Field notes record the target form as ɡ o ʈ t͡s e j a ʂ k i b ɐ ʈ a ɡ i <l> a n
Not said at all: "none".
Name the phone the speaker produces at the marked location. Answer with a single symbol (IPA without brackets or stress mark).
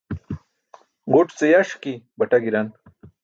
ɾ